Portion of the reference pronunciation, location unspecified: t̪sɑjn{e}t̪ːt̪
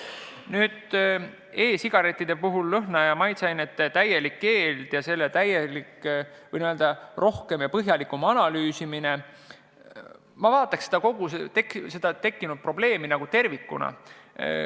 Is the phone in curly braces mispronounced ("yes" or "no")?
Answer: no